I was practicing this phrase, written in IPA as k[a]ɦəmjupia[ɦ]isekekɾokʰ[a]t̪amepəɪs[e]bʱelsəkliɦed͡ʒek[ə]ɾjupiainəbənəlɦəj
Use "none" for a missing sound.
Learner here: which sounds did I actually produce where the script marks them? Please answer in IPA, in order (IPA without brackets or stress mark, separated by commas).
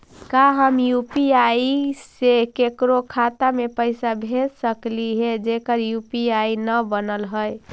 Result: a, none, a, a, ə